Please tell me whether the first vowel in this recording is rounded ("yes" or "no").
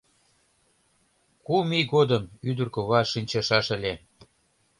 yes